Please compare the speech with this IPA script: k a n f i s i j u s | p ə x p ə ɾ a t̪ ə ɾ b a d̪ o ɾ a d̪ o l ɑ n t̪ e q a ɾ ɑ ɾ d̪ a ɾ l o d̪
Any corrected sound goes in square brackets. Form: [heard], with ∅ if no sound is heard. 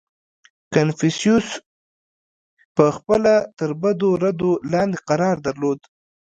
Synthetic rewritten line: k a n f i s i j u s | p ə x p ə [l] a t̪ ə ɾ b a d̪ o ɾ a d̪ o l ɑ n [d̪] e q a ɾ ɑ ɾ d̪ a ɾ l o d̪